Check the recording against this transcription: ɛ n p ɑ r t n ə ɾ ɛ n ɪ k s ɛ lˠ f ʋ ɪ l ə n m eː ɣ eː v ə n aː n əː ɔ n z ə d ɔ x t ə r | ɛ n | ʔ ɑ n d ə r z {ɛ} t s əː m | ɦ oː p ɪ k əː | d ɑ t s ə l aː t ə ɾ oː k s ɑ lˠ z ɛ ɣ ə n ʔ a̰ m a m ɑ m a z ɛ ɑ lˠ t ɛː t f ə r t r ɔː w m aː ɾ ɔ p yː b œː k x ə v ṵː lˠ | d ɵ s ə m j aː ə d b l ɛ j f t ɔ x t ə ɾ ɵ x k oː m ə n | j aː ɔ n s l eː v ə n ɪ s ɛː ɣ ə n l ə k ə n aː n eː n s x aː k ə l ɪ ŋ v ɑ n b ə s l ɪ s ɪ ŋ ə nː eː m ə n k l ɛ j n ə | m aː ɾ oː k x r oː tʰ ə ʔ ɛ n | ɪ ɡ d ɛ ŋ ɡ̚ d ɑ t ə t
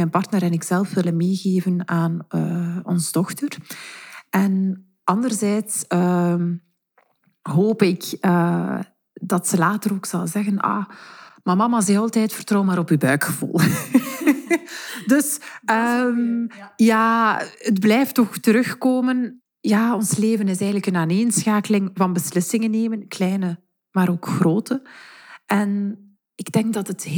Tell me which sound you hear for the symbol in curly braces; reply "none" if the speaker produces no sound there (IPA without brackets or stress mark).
ɛː